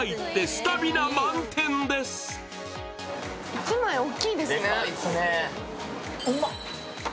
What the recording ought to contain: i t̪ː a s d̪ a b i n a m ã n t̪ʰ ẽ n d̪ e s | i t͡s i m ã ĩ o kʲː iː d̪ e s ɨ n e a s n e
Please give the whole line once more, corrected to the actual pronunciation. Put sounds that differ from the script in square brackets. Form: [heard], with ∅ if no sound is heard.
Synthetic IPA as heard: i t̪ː [e] s [t̪] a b i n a m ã n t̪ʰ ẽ n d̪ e s | i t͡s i m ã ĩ o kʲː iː d̪ e s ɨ n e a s n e